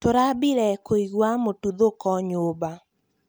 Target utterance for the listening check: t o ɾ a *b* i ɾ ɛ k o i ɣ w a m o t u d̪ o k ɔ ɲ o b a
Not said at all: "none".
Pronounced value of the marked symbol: b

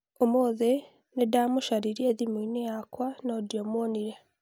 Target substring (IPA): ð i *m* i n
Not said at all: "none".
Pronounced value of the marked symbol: m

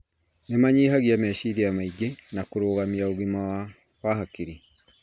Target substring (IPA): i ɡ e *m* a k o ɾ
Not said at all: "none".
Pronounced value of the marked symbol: n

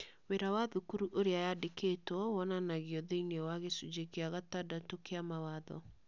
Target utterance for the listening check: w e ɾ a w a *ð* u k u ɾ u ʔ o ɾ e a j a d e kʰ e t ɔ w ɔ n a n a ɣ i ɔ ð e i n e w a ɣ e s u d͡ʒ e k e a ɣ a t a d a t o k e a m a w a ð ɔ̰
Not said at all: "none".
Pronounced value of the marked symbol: ð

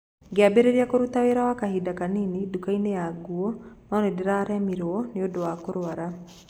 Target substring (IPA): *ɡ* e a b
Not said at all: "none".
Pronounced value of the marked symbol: ɡ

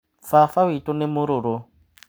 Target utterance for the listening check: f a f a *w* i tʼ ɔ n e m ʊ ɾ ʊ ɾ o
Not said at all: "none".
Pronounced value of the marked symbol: w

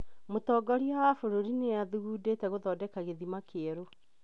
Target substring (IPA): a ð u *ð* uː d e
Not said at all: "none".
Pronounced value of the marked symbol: ɣ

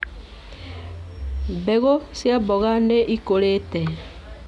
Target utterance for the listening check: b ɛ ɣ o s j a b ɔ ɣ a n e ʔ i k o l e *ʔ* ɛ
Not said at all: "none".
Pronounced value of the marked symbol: t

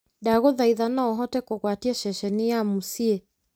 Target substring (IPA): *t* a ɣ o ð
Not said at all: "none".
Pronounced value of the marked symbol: d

